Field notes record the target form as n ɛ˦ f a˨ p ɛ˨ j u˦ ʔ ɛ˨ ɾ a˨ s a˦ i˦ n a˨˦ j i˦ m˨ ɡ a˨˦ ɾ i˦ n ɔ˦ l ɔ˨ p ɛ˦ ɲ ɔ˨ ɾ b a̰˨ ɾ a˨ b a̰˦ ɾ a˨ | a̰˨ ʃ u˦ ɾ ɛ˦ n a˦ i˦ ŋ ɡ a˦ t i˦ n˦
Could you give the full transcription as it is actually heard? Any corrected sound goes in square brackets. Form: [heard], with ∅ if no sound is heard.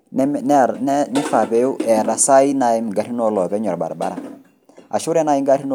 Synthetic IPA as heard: n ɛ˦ f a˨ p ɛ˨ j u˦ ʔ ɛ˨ ɾ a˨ s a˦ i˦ n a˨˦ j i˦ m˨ ɡ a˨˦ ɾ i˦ n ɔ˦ l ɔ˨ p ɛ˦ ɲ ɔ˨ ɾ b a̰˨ ɾ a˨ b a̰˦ ɾ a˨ | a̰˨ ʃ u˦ ɾ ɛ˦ n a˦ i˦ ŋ ɡ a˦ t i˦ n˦